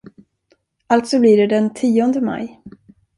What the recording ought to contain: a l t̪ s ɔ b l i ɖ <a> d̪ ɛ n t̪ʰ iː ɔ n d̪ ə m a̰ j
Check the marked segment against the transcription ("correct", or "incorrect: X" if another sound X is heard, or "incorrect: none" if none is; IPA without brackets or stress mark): incorrect: ɛ